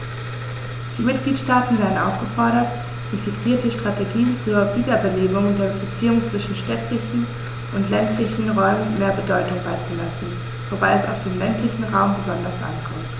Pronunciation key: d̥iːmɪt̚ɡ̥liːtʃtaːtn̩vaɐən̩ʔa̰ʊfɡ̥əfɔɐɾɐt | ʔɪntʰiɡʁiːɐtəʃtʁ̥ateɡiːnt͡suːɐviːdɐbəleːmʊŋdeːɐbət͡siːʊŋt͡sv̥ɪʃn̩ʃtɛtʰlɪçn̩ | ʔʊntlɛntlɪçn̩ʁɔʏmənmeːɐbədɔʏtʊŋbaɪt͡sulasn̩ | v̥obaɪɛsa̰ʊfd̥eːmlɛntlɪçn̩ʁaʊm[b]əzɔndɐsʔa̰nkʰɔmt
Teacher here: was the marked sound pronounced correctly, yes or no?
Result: yes